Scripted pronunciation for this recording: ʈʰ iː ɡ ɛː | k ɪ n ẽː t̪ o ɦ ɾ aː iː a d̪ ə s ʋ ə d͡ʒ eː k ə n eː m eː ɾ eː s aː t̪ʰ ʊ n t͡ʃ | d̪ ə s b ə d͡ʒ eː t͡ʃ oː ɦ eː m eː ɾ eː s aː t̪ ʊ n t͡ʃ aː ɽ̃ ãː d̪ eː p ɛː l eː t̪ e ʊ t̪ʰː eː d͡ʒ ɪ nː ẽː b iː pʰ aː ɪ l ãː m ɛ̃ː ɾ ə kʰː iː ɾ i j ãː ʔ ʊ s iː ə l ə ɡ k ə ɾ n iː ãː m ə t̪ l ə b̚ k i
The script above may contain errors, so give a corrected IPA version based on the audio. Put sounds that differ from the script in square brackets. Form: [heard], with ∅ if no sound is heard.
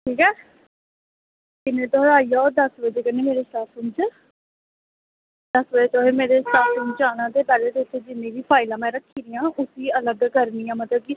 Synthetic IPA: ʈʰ iː [k] ɛː | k ɪ n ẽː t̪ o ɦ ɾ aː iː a d̪ ə s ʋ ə d͡ʒ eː k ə n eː m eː ɾ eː s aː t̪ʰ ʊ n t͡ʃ | d̪ ə s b ə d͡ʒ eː t͡ʃ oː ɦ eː m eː ɾ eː s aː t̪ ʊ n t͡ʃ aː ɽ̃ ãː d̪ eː p ɛː l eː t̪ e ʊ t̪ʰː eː d͡ʒ ɪ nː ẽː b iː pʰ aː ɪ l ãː m ɛ̃ː ɾ ə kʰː iː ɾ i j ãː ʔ ʊ s iː ə l ə ɡ k ə ɾ n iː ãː m ə t̪ l ə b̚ k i